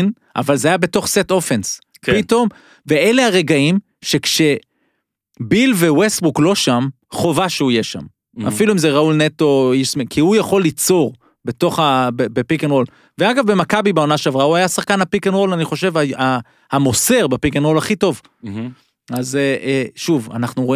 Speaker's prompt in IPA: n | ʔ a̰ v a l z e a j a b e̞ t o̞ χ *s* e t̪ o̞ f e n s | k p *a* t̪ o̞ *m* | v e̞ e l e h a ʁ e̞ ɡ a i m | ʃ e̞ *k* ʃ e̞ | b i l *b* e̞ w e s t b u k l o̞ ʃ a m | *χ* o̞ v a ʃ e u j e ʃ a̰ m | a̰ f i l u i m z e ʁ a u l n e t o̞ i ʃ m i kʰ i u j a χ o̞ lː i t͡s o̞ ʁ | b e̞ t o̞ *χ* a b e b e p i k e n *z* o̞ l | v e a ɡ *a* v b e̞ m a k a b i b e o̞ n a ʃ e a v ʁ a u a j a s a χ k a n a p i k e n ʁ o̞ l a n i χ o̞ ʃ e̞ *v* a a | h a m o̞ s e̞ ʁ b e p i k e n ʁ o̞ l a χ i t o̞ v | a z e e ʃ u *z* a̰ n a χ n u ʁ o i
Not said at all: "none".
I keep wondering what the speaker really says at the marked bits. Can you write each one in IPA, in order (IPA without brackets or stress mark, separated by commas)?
s, i, m, k, v, χ, χ, ʁ, a, v, v